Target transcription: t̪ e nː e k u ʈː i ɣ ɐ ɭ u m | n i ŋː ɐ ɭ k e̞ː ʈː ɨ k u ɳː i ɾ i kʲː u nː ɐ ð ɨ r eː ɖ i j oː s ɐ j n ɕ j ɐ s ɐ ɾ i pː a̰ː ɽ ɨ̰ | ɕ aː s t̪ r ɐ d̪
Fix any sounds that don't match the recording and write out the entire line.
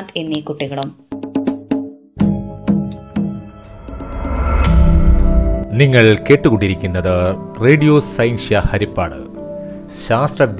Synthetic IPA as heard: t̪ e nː i k u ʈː i ɣ ɐ ɭ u m | n i ŋː ɐ ɭ k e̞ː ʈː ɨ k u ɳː i ɾ i kʲː u nː ɐ ð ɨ r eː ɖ i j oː s ɐ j n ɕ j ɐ h ɐ ɾ i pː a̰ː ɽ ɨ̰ | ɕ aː s t̪ r ɐ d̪